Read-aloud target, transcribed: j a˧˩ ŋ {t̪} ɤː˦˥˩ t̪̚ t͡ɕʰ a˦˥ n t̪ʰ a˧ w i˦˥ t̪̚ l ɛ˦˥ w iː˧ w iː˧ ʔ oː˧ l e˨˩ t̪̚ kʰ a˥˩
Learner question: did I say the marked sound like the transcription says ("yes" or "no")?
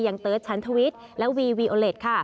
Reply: yes